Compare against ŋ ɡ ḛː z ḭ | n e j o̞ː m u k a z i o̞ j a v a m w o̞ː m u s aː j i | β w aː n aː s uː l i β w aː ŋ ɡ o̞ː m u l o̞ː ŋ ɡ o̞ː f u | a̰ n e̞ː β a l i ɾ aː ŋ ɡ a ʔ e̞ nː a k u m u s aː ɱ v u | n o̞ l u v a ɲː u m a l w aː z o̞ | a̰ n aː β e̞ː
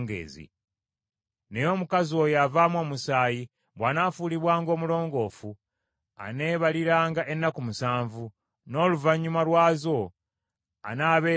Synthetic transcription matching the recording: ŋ ɡ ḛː z ḭ | n e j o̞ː m u k a z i o̞ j a v a m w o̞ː m u s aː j i | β w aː n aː f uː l i β w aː ŋ ɡ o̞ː m u l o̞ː ŋ ɡ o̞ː f u | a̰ n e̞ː β a l i ɾ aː ŋ ɡ a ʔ e̞ nː a k u m u s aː ɱ v u | n o̞ l u v a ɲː u m a l w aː z o̞ | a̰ n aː β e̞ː